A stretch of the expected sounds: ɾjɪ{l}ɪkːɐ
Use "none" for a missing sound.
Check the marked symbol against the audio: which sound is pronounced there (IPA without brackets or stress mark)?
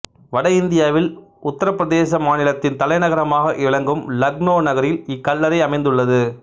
l